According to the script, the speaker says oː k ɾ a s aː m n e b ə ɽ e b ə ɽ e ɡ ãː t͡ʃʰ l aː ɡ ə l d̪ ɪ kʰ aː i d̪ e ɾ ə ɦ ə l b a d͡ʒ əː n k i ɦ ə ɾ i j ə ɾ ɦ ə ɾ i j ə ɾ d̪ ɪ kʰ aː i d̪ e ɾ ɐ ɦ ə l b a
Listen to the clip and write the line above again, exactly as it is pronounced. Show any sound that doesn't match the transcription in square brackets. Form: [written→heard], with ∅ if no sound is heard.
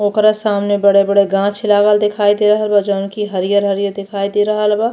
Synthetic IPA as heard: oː k ɾ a s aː m n e b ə ɽ e b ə ɽ e ɡ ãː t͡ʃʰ l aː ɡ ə l d̪ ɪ kʰ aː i d̪ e ɾ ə ɦ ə l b a d͡ʒ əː n k i ɦ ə ɾ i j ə ɾ ɦ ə ɾ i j ə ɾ d̪ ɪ kʰ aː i d̪ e ɾ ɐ ɦ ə l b a